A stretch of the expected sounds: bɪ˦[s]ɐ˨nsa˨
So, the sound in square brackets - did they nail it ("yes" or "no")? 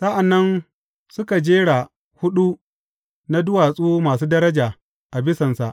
yes